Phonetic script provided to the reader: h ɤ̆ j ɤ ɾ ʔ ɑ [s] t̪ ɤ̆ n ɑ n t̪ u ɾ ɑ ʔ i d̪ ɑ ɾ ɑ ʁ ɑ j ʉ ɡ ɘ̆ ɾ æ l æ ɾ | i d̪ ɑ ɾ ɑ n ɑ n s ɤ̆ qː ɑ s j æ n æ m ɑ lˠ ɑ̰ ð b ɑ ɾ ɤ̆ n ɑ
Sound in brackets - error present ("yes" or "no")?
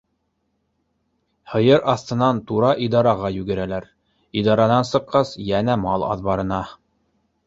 yes